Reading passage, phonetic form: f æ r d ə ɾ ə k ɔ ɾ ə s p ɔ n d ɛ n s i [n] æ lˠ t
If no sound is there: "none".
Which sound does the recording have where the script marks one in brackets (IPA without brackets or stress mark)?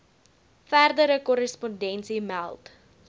m